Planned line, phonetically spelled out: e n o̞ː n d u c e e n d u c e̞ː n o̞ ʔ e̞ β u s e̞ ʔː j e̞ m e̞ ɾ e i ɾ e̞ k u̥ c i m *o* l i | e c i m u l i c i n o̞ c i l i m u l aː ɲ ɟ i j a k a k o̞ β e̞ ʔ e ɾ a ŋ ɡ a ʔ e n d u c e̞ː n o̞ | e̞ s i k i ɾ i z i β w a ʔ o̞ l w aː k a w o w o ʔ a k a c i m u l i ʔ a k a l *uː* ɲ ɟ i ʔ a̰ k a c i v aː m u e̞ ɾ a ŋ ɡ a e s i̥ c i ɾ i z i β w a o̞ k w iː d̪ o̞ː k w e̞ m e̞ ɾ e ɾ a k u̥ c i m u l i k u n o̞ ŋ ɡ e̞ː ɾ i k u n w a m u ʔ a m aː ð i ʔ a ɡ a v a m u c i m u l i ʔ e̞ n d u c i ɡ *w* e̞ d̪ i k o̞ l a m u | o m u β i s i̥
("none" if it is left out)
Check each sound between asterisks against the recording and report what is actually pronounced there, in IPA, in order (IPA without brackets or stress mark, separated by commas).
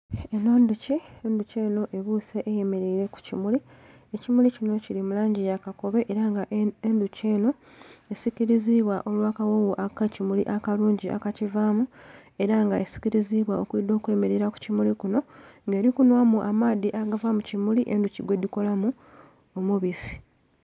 u, uː, w